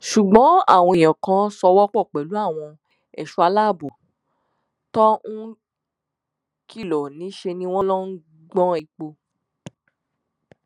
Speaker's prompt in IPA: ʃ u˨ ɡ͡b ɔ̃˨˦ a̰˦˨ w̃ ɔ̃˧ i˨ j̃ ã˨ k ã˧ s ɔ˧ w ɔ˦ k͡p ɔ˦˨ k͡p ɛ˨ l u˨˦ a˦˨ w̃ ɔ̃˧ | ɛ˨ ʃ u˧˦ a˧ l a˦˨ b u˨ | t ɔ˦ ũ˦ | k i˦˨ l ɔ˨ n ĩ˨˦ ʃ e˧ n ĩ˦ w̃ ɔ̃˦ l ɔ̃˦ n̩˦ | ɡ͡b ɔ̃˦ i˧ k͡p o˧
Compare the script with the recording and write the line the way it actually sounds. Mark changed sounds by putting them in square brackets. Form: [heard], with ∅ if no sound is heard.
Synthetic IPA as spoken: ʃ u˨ ɡ͡b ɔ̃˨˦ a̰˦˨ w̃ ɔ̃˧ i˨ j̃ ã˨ k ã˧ s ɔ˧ w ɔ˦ k͡p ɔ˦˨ k͡p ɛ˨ l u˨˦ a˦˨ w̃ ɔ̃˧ | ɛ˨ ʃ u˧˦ a˧ l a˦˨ b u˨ | t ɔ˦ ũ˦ | k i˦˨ l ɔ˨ n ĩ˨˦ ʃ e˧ n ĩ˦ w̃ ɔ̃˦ l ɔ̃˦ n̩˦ | ɡ͡b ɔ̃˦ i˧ k͡p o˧